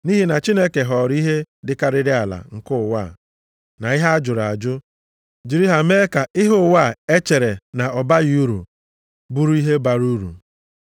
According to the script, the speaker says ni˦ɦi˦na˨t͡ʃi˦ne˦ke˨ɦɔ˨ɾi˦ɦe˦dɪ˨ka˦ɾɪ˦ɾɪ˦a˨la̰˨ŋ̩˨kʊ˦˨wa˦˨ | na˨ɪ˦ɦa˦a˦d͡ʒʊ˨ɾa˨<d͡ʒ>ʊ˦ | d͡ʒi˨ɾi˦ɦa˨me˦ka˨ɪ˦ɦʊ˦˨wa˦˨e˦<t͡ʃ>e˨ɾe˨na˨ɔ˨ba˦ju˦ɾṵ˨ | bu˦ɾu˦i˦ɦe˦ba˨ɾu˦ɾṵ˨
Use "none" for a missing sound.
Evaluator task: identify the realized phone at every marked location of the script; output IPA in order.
d͡ʒ, t͡ʃ

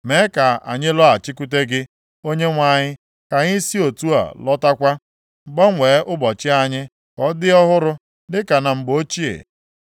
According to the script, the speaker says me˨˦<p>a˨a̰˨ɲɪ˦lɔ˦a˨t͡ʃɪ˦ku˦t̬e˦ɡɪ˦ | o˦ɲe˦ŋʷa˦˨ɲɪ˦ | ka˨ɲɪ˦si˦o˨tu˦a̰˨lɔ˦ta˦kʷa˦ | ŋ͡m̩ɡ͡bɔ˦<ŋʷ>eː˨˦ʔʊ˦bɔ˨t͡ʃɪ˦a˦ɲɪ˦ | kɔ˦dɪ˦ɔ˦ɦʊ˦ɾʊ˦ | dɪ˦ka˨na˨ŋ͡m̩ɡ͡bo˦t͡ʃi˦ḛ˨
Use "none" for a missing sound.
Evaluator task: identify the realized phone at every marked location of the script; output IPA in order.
k, ŋʷ

